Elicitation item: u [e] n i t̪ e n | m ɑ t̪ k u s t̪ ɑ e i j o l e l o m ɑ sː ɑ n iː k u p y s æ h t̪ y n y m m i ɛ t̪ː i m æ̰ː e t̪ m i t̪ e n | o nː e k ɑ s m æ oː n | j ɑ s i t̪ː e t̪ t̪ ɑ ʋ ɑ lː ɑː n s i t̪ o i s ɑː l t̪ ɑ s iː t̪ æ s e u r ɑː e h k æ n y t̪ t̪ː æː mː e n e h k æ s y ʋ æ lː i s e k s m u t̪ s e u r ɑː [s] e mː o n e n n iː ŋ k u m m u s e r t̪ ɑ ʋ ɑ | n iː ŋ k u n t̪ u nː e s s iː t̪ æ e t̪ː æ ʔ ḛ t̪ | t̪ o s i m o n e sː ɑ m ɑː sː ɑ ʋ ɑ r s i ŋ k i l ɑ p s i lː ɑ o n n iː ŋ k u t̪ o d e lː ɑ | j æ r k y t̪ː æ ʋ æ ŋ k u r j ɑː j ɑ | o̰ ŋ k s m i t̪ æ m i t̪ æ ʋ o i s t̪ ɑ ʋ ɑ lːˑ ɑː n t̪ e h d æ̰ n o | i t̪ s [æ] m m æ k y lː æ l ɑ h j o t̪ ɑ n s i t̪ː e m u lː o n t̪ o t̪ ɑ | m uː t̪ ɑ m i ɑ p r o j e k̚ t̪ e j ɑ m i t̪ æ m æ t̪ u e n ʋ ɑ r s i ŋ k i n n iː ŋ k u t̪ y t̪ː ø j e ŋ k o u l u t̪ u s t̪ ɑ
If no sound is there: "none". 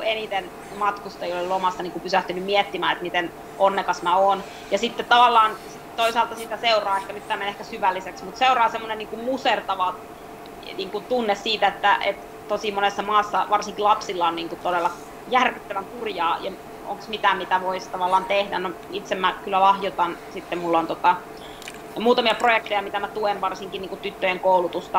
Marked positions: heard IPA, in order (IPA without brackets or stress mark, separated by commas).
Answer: e, s, e